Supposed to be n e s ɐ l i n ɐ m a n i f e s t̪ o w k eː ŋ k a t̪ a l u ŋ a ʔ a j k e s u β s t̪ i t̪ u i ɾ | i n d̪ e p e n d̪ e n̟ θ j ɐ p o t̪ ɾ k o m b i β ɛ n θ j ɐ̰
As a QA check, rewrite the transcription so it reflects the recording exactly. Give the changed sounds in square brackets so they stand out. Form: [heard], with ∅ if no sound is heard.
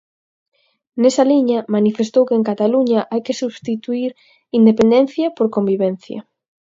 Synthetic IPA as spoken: n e s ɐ l i [ɲ] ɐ m a n i f e s t̪ o w k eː ŋ k a t̪ a l u [ɲ] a ʔ a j k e s u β s t̪ i t̪ u i ɾ | i n d̪ e p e n d̪ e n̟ θ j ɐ p o [∅] ɾ k o m b i β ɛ n θ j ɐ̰